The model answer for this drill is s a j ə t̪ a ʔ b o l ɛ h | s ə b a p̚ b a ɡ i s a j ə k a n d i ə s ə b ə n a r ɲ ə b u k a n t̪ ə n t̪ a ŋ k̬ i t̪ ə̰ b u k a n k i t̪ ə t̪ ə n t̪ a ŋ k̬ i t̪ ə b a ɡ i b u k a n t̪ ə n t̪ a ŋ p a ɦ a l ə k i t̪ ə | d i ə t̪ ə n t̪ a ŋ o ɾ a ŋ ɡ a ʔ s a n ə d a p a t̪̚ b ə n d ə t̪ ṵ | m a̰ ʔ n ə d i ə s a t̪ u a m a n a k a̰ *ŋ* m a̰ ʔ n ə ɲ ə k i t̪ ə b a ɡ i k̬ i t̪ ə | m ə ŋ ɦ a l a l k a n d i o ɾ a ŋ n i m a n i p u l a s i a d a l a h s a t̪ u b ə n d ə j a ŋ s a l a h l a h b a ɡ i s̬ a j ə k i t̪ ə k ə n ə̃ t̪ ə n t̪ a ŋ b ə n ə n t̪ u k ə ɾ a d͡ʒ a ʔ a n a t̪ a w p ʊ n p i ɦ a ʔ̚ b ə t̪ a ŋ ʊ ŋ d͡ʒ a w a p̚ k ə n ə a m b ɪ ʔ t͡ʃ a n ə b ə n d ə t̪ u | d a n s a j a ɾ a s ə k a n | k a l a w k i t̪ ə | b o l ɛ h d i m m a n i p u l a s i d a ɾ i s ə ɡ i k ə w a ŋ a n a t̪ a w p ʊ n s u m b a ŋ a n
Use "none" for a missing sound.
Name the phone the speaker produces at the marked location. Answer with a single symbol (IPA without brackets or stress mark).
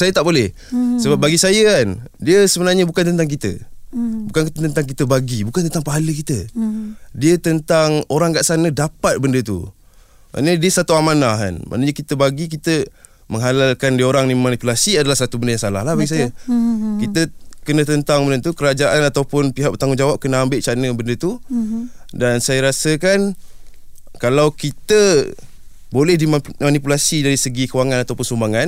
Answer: n